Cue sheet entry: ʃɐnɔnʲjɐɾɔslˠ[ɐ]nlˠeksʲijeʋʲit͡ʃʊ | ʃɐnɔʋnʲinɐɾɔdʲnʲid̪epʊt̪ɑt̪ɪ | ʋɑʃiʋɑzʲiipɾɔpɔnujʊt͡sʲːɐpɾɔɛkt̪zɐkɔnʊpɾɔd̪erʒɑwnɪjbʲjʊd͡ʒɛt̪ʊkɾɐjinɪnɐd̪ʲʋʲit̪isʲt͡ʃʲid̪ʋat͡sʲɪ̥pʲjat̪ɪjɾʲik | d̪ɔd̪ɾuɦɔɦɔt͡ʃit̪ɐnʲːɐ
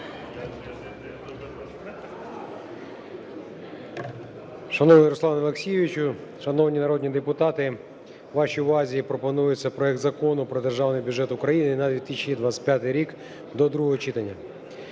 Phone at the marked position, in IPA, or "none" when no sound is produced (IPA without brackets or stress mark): ɑ